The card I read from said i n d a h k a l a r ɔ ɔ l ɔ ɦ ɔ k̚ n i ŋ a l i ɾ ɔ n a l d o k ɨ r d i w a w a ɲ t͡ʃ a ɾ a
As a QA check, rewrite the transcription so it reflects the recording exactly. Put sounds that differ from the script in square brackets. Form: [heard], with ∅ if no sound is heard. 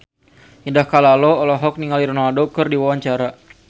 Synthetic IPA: i n d a h k a l a [l] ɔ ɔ l ɔ ɦ ɔ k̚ n i ŋ a l i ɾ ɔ n a l d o k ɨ r d i w a w a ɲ t͡ʃ a ɾ a